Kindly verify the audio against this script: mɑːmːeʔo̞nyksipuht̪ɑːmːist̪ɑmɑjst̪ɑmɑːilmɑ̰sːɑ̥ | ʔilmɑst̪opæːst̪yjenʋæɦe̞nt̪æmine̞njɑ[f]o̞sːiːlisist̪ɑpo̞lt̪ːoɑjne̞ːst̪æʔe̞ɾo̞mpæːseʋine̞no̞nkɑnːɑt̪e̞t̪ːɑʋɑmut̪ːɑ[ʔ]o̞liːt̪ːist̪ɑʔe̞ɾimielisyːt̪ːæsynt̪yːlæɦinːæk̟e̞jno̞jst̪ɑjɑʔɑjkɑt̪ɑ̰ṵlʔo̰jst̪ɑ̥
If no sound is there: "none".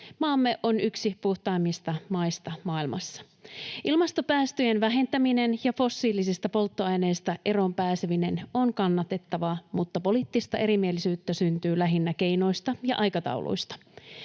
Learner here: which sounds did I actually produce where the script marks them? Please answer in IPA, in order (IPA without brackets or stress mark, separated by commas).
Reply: f, p